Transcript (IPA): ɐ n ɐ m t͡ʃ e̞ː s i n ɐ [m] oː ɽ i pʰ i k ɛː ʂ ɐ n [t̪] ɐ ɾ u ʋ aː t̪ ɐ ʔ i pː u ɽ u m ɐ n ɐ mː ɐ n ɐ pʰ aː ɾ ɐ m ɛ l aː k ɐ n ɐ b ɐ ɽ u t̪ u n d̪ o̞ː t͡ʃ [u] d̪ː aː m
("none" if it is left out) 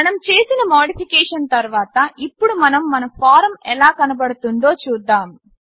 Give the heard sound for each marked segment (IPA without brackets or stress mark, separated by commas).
m, t̪, uː